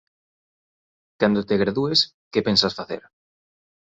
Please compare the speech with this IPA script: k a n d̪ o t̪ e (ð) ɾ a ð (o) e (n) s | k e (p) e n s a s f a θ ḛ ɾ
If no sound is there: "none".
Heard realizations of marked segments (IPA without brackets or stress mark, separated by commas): ɣ, u, none, p